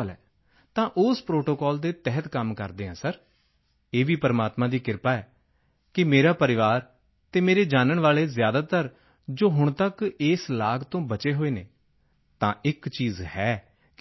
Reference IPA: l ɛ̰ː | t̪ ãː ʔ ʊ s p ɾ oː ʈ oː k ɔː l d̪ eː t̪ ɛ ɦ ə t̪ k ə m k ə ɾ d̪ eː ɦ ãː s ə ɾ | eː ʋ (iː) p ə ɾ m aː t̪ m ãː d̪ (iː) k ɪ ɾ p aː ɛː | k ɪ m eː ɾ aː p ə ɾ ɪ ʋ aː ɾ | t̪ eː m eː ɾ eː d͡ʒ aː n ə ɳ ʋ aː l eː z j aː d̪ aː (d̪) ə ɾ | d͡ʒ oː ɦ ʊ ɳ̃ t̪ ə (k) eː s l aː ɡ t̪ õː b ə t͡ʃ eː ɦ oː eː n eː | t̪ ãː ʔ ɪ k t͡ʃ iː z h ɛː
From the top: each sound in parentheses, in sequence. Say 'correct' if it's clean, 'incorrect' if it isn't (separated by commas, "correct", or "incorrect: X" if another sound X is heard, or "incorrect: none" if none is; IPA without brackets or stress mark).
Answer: correct, correct, incorrect: t̪, correct